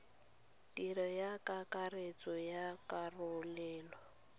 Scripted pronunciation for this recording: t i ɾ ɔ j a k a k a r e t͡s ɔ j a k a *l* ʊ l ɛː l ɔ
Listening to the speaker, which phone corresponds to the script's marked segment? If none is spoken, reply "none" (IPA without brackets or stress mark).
r